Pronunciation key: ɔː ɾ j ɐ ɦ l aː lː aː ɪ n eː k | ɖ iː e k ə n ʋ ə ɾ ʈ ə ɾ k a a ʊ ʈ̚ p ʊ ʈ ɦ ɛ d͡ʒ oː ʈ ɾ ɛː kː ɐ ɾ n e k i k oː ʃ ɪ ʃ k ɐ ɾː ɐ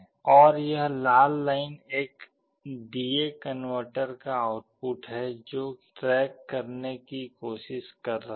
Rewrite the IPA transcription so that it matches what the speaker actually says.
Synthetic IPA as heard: ɔː ɾ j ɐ ɦ l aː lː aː ɪ n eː k | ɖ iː e k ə n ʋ ə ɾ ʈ ə ɾ k a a ʊ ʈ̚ p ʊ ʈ ɦ ɛ d͡ʒ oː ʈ ɾ ɛː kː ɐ ɾ n e k i k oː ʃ ɪ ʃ k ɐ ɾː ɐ